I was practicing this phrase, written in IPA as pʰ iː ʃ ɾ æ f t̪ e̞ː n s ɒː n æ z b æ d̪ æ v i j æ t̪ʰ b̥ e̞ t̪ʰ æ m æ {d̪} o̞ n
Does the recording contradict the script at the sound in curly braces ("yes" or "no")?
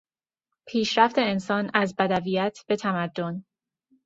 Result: yes